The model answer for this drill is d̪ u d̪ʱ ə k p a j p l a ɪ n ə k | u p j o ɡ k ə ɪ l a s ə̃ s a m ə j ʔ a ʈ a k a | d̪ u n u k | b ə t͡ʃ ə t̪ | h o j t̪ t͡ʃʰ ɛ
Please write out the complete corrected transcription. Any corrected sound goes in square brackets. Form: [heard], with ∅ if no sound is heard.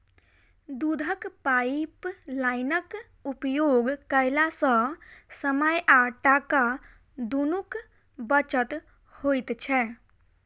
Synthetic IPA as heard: d̪ u d̪ʱ ə k p a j p l a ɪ n ə k | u p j o ɡ k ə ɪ l a s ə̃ s [ə] m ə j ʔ a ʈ a k a | d̪ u n u k | b ə t͡ʃ ə t̪ | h o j t̪ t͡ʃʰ ɛ